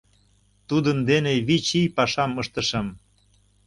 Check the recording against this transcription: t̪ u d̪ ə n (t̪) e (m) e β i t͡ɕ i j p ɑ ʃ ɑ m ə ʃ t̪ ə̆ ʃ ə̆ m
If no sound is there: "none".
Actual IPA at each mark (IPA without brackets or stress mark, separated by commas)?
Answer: d̪, n